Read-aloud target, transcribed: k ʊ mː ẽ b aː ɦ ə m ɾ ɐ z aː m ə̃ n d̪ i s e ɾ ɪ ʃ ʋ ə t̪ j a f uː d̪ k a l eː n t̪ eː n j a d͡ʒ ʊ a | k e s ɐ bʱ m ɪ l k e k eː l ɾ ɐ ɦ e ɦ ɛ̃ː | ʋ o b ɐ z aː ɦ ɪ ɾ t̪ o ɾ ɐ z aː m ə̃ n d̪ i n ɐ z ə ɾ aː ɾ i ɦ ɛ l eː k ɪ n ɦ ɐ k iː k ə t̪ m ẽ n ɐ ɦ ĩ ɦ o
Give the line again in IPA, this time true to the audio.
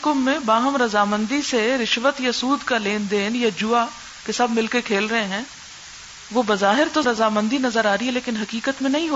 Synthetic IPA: k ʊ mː ẽ b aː ɦ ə m ɾ ɐ z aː m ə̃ n d̪ i s e ɾ ɪ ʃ ʋ ə t̪ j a s uː d̪ k a l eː n d̪ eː n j a d͡ʒ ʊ a | k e s ɐ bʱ m ɪ l k e kʰ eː l ɾ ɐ ɦ e ɦ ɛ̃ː | ʋ o b ɐ z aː ɦ ɪ ɾ t̪ o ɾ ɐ z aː m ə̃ n d̪ i n ɐ z ə ɾ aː ɾ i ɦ ɛ l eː k ɪ n ɦ ɐ k iː k ə t̪ m ẽ n ɐ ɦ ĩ ɦ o